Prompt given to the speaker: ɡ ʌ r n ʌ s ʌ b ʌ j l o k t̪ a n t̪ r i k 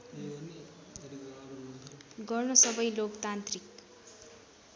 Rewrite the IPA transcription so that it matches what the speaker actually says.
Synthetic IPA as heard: ɡ ʌ r n ʌ s ʌ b ʌ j l o k t̪ a n t̪ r i k